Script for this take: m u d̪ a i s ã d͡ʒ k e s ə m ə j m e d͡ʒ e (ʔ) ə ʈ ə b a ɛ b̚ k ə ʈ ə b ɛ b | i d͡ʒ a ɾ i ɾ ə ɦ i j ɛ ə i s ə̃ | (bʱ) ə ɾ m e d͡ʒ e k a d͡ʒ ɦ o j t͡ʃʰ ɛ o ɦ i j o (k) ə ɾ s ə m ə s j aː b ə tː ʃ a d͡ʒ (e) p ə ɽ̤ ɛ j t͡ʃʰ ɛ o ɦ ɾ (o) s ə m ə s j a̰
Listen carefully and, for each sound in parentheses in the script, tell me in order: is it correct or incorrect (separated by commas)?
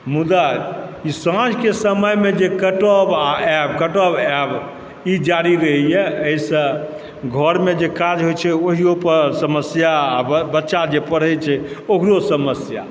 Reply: incorrect, incorrect, incorrect, correct, correct